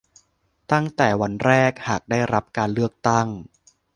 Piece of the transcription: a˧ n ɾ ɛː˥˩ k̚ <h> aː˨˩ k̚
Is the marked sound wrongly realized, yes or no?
no